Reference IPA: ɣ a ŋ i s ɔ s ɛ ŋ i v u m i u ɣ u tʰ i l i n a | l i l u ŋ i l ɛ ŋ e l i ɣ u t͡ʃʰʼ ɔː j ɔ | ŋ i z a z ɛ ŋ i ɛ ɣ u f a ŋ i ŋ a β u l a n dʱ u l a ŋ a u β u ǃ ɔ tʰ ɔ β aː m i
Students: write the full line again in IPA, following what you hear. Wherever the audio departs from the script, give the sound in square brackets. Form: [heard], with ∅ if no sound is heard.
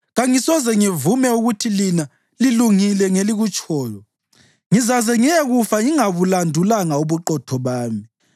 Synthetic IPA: ɣ a ŋ i s ɔ [z] ɛ ŋ i v u m [ɛ] u ɣ u tʰ i l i n a | l i l u ŋ i l ɛ ŋ e l i ɣ u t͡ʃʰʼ ɔː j ɔ | ŋ i z a z ɛ ŋ i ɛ ɣ u f a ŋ i ŋ a β u l a n dʱ u l a ŋ a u β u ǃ ɔ tʰ ɔ β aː m i